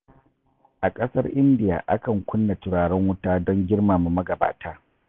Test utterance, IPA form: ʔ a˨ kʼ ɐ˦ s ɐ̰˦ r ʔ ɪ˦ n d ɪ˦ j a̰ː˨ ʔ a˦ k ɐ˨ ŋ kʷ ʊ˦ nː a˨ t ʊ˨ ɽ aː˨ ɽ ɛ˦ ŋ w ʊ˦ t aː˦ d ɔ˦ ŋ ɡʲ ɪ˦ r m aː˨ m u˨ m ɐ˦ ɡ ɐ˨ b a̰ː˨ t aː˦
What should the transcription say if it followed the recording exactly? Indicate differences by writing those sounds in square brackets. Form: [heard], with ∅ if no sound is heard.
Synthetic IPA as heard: ʔ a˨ kʼ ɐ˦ s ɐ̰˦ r ʔ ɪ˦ n d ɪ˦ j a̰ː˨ ʔ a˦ k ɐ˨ ŋ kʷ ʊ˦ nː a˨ t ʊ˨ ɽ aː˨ ɽ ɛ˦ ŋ w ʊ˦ t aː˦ d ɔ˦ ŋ ɡʲ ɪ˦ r m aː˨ m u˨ m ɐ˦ ɡ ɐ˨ b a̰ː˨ t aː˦